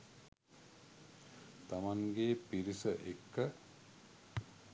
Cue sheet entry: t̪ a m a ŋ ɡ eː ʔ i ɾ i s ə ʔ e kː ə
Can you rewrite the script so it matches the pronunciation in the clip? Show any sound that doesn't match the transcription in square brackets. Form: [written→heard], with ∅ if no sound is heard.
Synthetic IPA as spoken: t̪ a m a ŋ ɡ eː [ʔ→p] i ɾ i s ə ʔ e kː ə